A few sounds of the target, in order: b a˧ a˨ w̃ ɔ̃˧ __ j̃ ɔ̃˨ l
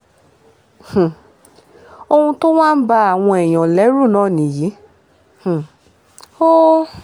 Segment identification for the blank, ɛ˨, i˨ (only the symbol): ɛ˨